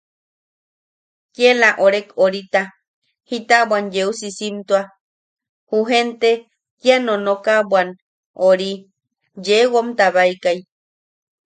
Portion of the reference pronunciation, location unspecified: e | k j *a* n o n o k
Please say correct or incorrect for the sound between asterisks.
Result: correct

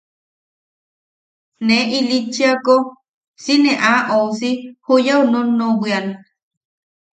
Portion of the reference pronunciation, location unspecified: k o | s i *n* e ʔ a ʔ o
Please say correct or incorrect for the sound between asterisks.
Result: correct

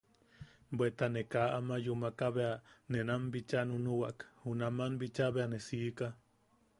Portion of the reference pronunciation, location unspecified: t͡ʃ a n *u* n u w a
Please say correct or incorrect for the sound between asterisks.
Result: correct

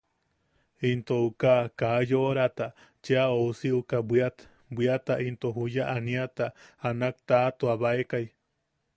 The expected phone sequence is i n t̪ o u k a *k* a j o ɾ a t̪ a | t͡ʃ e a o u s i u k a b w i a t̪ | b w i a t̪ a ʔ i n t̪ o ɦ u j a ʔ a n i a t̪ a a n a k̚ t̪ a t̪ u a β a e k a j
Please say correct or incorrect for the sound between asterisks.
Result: correct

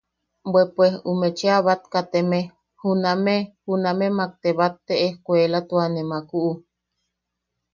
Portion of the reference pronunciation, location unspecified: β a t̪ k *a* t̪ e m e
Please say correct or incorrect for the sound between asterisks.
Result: correct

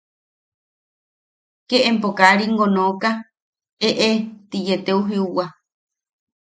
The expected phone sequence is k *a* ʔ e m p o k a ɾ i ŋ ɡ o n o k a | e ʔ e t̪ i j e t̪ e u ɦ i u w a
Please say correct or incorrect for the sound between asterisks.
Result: incorrect: e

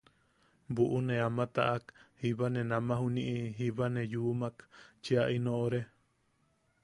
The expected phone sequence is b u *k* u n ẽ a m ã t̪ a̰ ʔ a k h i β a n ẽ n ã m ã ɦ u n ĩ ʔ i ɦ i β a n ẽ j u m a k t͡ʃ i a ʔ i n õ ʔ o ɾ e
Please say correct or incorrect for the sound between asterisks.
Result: incorrect: ʔ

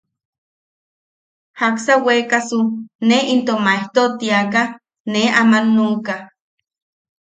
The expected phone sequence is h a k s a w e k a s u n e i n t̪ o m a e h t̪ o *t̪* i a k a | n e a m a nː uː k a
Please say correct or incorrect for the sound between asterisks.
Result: correct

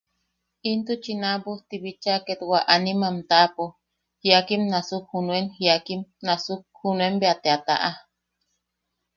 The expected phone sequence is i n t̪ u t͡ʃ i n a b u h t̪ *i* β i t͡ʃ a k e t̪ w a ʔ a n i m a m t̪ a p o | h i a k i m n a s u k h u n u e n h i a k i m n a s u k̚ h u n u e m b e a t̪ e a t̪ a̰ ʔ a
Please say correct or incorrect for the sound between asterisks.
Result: correct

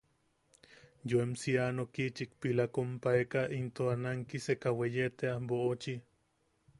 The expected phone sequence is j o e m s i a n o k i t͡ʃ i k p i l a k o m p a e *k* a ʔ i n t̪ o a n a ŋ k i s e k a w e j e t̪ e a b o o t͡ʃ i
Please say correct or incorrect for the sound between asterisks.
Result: correct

